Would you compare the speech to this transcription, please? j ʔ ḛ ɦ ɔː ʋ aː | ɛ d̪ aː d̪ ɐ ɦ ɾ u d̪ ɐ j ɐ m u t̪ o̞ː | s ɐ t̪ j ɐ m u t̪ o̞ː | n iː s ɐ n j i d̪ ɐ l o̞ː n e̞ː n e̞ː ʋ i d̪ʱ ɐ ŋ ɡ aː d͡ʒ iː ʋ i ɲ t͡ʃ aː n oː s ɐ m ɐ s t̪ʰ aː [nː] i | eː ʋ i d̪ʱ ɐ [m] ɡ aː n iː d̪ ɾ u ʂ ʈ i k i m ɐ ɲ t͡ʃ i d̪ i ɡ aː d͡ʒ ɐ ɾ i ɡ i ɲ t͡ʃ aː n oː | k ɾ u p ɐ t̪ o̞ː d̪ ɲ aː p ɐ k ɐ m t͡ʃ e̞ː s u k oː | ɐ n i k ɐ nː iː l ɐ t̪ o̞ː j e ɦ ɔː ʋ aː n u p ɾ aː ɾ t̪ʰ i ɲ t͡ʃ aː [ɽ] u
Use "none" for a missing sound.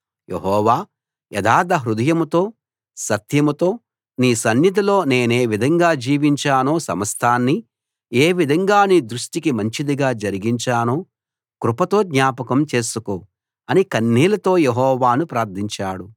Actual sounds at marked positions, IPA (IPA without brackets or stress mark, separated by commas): nː, ŋ, ɽ